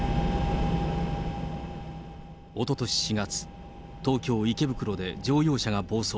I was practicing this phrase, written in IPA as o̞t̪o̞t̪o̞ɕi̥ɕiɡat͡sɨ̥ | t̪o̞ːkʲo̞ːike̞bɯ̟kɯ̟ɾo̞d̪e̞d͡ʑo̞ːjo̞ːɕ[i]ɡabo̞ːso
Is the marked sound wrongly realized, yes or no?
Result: yes